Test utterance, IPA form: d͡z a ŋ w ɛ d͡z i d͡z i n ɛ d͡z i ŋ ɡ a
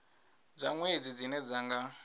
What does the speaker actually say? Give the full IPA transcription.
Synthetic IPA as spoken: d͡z a ŋ w e d͡z i d͡z i n ɛ d͡z a ŋ ɡ a